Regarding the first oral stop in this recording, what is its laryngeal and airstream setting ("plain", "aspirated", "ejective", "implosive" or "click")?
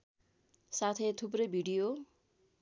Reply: aspirated